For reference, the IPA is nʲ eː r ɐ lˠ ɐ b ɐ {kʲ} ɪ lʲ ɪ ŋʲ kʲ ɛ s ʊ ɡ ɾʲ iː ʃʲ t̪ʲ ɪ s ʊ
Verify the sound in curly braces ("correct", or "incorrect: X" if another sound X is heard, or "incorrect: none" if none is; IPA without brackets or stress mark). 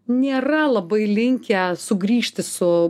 incorrect: none